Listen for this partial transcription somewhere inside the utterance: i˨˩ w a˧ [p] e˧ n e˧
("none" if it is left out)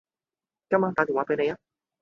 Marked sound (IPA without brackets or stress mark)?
p